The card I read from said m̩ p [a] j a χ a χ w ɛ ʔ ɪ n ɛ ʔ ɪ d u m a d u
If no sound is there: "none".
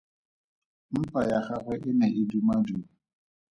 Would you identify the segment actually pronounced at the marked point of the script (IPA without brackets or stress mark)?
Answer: a